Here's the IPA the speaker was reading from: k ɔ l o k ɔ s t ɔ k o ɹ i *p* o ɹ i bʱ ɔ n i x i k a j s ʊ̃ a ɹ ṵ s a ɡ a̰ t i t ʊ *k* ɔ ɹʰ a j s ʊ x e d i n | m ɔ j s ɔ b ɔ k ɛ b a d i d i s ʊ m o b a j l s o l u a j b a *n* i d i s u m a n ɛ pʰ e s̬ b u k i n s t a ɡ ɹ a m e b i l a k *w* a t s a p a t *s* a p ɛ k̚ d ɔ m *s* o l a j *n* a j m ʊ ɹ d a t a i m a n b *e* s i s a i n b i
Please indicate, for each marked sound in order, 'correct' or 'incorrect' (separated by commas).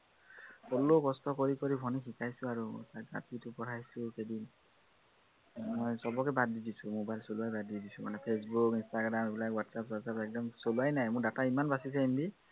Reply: incorrect, incorrect, incorrect, correct, correct, correct, correct, incorrect